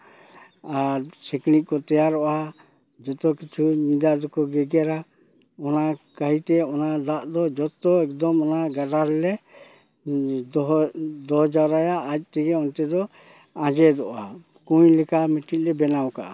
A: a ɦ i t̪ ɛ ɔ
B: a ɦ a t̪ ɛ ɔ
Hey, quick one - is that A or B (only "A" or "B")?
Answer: A